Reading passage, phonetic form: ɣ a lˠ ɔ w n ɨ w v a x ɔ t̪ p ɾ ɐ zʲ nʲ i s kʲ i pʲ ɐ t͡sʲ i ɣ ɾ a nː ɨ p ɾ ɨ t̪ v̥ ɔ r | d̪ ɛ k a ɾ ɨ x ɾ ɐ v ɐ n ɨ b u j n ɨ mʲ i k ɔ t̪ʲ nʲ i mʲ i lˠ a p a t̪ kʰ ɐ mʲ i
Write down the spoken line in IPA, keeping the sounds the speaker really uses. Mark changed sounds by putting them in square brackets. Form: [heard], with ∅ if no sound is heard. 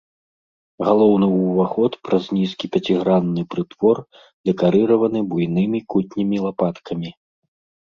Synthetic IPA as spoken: ɣ a lˠ ɔ w n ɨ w v a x ɔ t̪ p ɾ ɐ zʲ nʲ i s kʲ i pʲ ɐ t͡sʲ i ɣ ɾ a nː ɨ p ɾ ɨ t̪ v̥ ɔ r | d̪ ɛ k a ɾ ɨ [∅] ɾ ɐ v ɐ n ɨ b u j n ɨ mʲ i k [u] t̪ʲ nʲ i mʲ i lˠ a p a t̪ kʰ ɐ mʲ i